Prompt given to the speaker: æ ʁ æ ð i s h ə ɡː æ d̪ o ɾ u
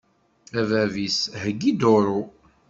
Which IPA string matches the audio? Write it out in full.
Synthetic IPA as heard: æ v æ v i s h ə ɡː i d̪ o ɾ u